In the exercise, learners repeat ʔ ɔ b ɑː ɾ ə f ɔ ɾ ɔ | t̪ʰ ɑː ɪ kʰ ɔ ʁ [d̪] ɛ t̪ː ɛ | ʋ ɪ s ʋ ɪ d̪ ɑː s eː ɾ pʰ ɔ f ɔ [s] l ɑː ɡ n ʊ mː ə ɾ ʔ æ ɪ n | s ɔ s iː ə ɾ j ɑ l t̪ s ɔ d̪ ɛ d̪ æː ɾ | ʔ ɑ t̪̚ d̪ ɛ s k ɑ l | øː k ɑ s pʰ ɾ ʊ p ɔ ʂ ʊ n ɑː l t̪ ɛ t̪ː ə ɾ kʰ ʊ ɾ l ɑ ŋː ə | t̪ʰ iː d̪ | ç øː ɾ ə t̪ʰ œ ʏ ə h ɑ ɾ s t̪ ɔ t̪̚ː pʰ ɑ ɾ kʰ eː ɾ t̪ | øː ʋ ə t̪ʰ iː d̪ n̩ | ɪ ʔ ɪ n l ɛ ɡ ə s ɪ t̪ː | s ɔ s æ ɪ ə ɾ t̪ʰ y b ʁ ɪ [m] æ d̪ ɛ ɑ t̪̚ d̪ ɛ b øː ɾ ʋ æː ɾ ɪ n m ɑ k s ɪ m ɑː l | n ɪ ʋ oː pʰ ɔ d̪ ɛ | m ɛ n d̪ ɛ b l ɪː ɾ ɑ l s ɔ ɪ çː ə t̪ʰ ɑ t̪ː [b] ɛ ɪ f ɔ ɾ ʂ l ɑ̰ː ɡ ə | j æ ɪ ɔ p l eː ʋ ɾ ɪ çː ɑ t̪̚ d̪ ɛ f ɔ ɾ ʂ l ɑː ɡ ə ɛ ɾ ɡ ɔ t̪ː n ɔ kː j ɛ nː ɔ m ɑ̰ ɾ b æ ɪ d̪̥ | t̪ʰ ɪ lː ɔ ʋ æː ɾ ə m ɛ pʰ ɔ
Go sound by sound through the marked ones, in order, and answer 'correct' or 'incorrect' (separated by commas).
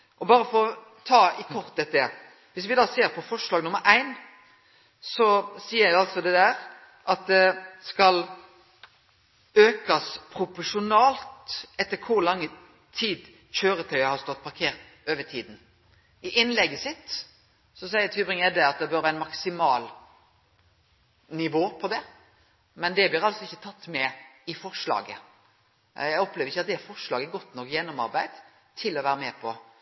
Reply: incorrect, incorrect, incorrect, incorrect